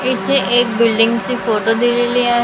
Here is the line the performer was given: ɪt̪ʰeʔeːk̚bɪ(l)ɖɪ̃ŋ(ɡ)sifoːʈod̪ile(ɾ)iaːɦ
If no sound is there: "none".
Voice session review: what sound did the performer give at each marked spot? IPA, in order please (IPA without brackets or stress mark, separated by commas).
l, ɡ, l